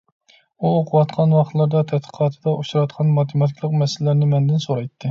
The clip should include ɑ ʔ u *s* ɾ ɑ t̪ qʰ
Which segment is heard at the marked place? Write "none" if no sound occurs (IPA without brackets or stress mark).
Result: ʃ